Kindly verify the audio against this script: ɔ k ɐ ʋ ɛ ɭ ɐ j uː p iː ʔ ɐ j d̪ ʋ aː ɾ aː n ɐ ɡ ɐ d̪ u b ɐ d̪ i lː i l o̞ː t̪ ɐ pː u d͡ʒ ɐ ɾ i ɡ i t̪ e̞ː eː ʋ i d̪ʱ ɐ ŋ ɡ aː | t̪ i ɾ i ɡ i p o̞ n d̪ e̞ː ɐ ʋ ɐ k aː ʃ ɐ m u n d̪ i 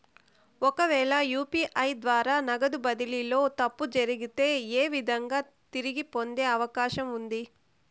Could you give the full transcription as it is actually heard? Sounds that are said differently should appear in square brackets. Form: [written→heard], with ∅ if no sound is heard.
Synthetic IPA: ɔ k ɐ ʋ [ɛ→ɛː] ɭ ɐ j uː p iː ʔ ɐ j d̪ ʋ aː ɾ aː n ɐ ɡ ɐ d̪ u b ɐ d̪ i [lː→l] i l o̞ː t̪ ɐ pː u d͡ʒ ɐ ɾ i ɡ i t̪ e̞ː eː ʋ i d̪ʱ ɐ ŋ ɡ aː | t̪ i ɾ i ɡ i p o̞ n d̪ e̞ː ɐ ʋ ɐ k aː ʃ ɐ m u n d̪ i

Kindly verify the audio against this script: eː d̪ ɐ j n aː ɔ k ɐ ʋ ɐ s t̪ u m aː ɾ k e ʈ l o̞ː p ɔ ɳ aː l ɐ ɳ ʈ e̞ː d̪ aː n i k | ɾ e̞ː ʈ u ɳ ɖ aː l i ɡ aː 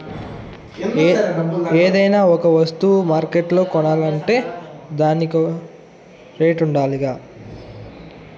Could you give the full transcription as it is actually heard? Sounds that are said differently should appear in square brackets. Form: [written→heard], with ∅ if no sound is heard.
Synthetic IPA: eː d̪ ɐ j n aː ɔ k ɐ ʋ ɐ s t̪ u m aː ɾ k e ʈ l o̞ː [p→k] ɔ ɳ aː l ɐ ɳ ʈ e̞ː d̪ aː n i k | ɾ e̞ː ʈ u ɳ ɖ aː l i ɡ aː

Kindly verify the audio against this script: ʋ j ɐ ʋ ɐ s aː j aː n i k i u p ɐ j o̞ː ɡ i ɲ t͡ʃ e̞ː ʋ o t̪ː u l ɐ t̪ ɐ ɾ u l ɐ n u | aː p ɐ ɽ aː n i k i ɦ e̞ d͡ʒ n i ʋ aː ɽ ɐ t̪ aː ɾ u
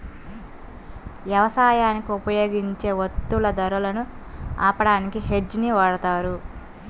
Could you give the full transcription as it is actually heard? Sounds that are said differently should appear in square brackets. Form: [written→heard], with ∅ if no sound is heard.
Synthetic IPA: ʋ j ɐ ʋ ɐ s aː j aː n i k i u p ɐ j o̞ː ɡ i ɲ t͡ʃ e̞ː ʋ o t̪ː u l ɐ [t̪→d̪] ɐ ɾ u l ɐ n u | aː p ɐ ɽ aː n i k i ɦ e̞ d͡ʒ n i ʋ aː ɽ ɐ t̪ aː ɾ u

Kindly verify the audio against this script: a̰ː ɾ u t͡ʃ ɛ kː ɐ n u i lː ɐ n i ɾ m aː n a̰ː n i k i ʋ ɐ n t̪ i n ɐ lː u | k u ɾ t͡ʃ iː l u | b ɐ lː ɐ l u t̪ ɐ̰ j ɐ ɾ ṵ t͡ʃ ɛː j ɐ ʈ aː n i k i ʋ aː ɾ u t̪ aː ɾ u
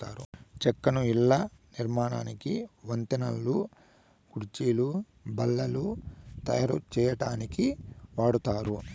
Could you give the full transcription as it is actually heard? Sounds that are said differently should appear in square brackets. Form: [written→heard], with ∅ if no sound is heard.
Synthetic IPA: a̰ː ɾ u t͡ʃ ɛ kː ɐ n u i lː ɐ n i ɾ m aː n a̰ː n i k i ʋ ɐ n t̪ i n ɐ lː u | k u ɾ t͡ʃ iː l u | b ɐ lː ɐ l u t̪ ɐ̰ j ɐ ɾ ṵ t͡ʃ ɛː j ɐ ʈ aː n i k i ʋ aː [ɾ→ɽ] u t̪ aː ɾ u

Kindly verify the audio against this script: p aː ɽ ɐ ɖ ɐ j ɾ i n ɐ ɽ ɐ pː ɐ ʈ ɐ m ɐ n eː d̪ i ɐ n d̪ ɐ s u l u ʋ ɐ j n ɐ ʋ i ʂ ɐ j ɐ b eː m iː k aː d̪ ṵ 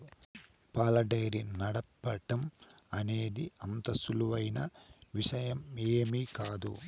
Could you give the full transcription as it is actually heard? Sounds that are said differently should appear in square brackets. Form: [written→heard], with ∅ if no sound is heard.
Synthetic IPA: p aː [ɽ→l] ɐ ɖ ɐ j ɾ i n ɐ ɽ ɐ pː ɐ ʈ ɐ m ɐ n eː d̪ i ɐ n [d̪→t̪] ɐ s u l u ʋ ɐ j n ɐ ʋ i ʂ ɐ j ɐ [b→m] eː m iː k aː d̪ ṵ

